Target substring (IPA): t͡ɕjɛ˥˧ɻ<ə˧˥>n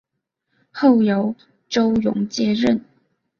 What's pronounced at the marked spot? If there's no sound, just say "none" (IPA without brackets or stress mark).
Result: ə˥˨